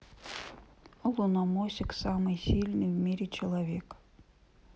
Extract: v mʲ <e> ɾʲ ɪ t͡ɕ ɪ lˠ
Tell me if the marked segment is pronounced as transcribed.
no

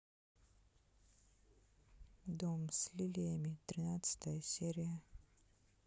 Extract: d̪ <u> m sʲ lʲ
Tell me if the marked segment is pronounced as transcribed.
no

